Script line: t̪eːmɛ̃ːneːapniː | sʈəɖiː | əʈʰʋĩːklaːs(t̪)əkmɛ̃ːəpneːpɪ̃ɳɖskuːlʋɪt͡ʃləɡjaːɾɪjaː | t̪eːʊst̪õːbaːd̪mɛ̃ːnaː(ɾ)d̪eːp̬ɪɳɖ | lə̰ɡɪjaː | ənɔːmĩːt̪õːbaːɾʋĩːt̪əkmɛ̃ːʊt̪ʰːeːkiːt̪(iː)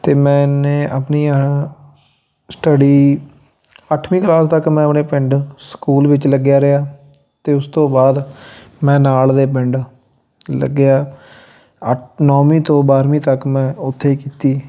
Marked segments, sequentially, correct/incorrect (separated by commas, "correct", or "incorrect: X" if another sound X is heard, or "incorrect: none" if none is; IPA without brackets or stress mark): correct, incorrect: l, correct